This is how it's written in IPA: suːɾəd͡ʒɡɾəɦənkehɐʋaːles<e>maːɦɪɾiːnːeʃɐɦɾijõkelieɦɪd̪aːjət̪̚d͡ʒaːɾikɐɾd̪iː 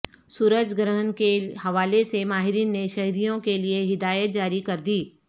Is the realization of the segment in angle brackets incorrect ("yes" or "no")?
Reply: no